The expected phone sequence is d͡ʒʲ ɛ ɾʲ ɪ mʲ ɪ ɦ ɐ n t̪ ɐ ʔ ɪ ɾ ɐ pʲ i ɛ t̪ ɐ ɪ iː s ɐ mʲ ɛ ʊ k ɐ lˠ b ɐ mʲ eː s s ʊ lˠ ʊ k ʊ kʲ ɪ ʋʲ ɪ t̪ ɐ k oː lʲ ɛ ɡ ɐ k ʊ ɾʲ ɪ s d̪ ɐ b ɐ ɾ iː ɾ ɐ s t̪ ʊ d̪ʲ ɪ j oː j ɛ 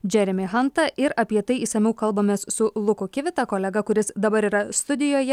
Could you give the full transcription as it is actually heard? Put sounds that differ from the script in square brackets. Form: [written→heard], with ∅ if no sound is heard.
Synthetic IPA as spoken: d͡ʒʲ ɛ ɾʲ ɪ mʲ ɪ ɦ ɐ n t̪ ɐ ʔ ɪ ɾ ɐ pʲ i ɛ t̪ ɐ ɪ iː s ɐ mʲ ɛ ʊ k ɐ lˠ b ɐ mʲ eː s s ʊ lˠ ʊ k ʊ kʲ ɪ ʋʲ ɪ t̪ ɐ k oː lʲ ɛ ɡ ɐ k ʊ ɾʲ ɪ s d̪ ɐ b ɐ ɾ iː ɾ ɐ s t̪ ʊ d̪ʲ ɪ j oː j ɛ

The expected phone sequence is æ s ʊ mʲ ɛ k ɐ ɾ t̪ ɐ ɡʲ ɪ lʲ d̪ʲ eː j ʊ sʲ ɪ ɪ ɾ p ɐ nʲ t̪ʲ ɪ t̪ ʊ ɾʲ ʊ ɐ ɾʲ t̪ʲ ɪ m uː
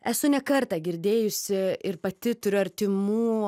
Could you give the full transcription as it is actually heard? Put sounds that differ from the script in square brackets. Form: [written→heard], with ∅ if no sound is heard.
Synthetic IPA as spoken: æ s ʊ [mʲ→nʲ] ɛ k ɐ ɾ t̪ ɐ ɡʲ ɪ [lʲ→ɾʲ] d̪ʲ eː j ʊ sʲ ɪ ɪ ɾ p ɐ [nʲ→∅] t̪ʲ ɪ t̪ ʊ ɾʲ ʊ ɐ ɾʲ t̪ʲ ɪ m uː

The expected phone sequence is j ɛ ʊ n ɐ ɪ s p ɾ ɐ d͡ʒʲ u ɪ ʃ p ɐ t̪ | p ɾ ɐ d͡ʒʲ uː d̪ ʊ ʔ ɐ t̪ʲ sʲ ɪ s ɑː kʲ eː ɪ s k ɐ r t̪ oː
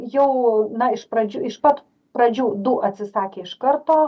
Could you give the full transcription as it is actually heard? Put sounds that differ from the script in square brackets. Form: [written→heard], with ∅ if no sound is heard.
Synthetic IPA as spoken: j ɛ ʊ n ɐ ɪ [s→ʃ] p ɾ ɐ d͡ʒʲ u ɪ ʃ p ɐ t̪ | p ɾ ɐ d͡ʒʲ uː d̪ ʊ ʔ ɐ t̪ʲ sʲ ɪ s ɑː kʲ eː ɪ [s→ʃ] k ɐ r t̪ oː

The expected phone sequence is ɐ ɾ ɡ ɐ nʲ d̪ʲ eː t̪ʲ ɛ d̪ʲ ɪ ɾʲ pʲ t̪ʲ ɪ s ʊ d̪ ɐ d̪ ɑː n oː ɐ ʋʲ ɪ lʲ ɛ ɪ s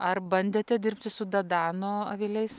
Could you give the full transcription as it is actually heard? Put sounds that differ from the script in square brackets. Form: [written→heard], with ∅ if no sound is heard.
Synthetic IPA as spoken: ɐ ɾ [ɡ→b] ɐ nʲ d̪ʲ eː t̪ʲ ɛ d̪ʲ ɪ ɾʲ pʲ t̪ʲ ɪ s ʊ d̪ ɐ d̪ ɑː n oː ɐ ʋʲ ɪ lʲ ɛ ɪ s

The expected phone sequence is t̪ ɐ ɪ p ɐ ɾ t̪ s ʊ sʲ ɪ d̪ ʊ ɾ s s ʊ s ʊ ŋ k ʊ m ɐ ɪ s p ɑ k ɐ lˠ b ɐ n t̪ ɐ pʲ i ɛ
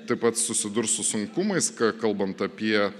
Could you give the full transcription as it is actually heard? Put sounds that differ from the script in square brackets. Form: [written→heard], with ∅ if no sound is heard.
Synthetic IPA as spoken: t̪ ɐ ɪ p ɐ [ɾ→∅] t̪ s ʊ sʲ ɪ d̪ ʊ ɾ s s ʊ s ʊ ŋ k ʊ m ɐ ɪ s [p→k] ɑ k ɐ lˠ b ɐ n t̪ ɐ pʲ i ɛ

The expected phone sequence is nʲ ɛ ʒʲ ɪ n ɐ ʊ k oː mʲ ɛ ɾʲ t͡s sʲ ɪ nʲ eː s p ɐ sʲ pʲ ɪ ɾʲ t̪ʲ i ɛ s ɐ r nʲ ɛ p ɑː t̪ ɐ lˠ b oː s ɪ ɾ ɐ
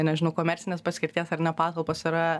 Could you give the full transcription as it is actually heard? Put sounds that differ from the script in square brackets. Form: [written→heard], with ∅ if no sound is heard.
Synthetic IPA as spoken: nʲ ɛ ʒʲ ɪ n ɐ ʊ k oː mʲ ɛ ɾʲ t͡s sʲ ɪ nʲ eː s p ɐ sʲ [pʲ→kʲ] ɪ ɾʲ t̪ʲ i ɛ s ɐ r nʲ ɛ p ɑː t̪ ɐ lˠ [b→p] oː s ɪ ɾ ɐ

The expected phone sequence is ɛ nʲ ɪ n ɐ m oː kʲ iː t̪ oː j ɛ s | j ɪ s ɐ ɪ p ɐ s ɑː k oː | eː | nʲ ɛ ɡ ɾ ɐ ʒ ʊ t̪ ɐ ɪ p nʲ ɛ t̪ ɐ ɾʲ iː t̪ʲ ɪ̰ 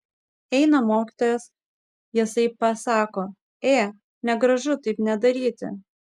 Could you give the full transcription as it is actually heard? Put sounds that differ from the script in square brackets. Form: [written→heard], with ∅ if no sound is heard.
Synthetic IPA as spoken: ɛ [nʲ→∅] ɪ n ɐ m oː kʲ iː t̪ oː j ɛ s | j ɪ s ɐ ɪ p ɐ s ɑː k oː | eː | nʲ ɛ ɡ ɾ ɐ ʒ ʊ t̪ ɐ ɪ p nʲ ɛ [t̪→d̪] ɐ ɾʲ iː t̪ʲ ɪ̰

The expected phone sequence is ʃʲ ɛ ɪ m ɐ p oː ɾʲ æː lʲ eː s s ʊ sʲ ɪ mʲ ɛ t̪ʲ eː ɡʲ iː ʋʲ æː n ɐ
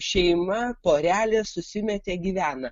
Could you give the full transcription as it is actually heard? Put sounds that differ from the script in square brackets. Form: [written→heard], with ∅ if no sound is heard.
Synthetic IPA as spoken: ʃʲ ɛ ɪ m ɐ p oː ɾʲ æː lʲ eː s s ʊ sʲ ɪ mʲ ɛ t̪ʲ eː ɡʲ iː ʋʲ æː n ɐ

